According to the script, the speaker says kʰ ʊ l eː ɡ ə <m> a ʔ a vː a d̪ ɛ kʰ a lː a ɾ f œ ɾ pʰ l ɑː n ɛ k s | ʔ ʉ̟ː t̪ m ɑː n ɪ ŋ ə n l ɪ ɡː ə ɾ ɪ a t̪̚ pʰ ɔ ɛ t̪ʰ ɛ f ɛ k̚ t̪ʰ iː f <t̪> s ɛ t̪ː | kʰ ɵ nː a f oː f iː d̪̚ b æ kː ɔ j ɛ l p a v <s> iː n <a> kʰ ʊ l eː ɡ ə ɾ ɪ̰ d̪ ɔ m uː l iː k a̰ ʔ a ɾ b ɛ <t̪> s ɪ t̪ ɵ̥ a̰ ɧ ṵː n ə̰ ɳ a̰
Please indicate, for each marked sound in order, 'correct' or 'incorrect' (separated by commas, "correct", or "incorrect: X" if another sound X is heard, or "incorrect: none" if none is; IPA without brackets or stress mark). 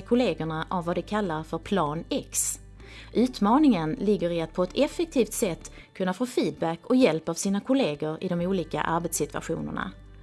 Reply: incorrect: ɳ, correct, correct, correct, correct